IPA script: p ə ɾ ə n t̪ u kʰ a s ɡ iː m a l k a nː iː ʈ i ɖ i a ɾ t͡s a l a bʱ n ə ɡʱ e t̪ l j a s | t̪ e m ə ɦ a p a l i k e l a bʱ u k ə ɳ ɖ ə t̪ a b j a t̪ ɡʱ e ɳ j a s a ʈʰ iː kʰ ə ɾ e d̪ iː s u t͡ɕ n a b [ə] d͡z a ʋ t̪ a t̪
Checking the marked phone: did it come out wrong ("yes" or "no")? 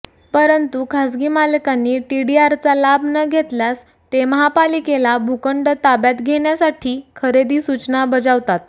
no